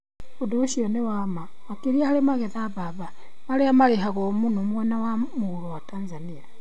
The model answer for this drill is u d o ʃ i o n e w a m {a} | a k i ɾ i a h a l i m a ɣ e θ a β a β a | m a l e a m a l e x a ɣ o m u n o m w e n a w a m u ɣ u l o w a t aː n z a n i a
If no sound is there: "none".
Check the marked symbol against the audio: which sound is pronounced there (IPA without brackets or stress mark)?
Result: a